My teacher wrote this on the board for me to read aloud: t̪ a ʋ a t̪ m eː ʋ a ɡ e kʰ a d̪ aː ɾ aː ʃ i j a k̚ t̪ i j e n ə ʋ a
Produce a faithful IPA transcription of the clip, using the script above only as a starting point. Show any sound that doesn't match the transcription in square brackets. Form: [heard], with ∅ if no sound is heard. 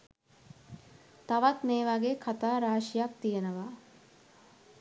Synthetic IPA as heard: t̪ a ʋ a t̪ m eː ʋ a ɡ e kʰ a [t̪] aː ɾ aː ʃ i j a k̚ t̪ i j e n ə ʋ a

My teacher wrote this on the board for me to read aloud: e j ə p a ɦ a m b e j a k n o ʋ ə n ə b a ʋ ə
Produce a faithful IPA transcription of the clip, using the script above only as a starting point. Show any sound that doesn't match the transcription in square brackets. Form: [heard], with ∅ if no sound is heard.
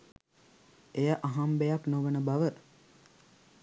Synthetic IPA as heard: e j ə [ʔ] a ɦ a m b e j a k n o ʋ ə n ə b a ʋ ə

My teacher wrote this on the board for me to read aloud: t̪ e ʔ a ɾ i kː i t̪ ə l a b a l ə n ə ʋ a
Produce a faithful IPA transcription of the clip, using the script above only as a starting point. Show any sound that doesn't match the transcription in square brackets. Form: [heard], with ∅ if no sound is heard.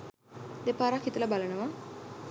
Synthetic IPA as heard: [d̪] e [p] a ɾ [a] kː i t̪ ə l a b a l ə n ə ʋ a

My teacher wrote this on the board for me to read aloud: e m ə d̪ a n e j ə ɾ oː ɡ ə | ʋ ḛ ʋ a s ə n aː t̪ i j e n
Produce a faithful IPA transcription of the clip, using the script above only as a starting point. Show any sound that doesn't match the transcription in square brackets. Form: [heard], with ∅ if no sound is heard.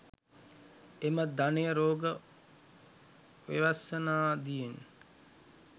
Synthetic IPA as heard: e m ə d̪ a n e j ə ɾ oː ɡ ə | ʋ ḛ ʋ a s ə n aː [d̪] i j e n

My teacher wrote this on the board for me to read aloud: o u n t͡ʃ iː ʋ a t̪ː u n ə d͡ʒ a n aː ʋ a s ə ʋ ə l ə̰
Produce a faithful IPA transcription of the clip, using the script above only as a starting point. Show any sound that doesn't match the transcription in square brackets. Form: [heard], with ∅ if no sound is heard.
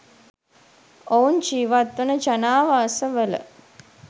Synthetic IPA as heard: o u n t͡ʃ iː ʋ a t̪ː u n ə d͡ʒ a n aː ʋ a s ə ʋ ə l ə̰

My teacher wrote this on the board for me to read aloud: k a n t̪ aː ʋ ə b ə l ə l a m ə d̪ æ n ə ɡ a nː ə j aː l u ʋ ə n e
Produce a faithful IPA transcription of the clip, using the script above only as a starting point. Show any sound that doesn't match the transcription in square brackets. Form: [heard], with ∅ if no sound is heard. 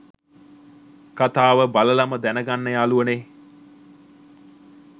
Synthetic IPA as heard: k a [∅] t̪ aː ʋ ə b [a] l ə l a m ə d̪ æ n ə ɡ a nː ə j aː l u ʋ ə n e

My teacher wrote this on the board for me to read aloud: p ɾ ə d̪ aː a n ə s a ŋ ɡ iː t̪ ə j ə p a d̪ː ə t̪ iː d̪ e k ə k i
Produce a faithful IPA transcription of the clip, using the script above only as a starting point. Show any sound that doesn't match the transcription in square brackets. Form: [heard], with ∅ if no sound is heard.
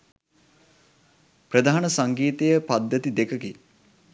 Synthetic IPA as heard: p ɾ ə d̪ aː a n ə s a ŋ ɡ iː t̪ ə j ə p a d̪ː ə t̪ [i] d̪ e k ə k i

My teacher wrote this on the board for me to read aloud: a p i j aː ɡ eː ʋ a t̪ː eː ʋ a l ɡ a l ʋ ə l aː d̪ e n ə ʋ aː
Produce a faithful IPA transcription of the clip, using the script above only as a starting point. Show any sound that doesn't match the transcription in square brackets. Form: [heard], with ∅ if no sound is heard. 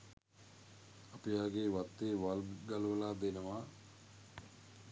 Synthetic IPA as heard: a p i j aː ɡ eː ʋ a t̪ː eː ʋ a l ɡ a l ʋ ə l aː d̪ e n ə ʋ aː

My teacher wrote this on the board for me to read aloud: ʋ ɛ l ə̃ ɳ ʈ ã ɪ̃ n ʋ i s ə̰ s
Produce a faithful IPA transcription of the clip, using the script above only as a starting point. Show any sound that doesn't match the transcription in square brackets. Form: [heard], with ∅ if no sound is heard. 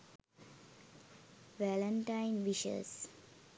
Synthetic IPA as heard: ʋ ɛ l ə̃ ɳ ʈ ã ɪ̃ n ʋ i [ʃ] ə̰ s

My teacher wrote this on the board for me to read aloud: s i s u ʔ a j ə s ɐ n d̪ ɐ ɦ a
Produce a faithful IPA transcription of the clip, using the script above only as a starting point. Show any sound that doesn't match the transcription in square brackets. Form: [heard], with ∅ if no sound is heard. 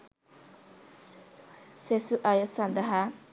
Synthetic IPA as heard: s [e] s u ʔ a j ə s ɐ n d̪ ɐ ɦ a

